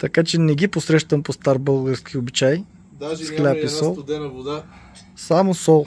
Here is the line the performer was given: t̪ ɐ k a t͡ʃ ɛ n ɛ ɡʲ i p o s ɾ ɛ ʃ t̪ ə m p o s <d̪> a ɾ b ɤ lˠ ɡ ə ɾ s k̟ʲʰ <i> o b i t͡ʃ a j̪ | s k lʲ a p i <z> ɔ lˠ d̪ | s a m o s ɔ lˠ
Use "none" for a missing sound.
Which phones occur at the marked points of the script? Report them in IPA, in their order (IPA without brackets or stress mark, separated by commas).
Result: t̪, i, s